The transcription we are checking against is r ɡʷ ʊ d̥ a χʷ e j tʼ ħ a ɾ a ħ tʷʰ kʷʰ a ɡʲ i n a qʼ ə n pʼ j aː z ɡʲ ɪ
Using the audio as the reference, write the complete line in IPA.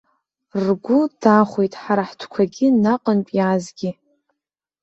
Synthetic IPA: r ɡʷ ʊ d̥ a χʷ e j tʼ ħ a ɾ a ħ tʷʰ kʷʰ a ɡʲ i n a qʼ ə n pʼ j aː z ɡʲ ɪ